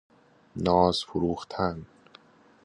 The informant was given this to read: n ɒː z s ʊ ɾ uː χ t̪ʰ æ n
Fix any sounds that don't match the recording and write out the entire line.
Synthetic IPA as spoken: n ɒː z f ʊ ɾ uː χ t̪ʰ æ n

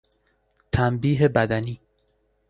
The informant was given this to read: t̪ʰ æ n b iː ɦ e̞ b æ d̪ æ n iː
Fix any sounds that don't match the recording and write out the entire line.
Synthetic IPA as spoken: t̪ʰ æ m b iː ɦ e̞ b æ d̪ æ n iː

